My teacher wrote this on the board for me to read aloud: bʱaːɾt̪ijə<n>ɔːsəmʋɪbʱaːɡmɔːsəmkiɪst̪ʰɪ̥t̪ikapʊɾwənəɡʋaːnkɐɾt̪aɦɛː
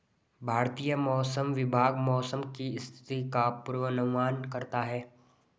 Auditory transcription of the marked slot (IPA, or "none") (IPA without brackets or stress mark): m